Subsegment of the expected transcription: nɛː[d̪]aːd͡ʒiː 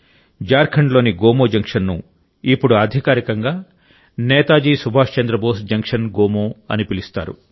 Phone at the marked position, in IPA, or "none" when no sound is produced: t̪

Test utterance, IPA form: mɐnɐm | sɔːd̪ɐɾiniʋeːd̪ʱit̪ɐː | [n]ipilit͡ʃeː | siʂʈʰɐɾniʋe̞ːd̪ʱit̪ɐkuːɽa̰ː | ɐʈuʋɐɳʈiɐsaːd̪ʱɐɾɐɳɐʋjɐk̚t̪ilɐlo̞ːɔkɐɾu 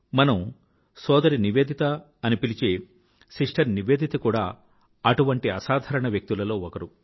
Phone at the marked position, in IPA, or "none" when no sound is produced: n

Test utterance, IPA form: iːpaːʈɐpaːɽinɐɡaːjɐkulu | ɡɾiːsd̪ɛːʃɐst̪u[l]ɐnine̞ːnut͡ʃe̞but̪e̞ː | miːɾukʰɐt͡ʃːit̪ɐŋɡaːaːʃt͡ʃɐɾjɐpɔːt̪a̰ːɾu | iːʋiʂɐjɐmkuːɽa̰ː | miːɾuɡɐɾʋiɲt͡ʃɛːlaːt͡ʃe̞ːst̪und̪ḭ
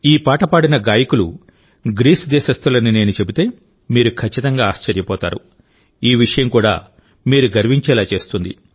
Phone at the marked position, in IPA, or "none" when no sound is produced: l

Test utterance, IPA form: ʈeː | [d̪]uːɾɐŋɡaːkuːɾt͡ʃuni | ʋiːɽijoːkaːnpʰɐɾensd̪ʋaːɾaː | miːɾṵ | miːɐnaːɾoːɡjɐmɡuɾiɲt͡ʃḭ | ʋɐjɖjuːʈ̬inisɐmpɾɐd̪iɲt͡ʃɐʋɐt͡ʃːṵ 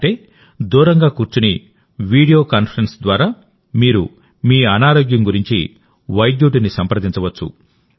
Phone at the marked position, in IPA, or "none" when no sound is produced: d̪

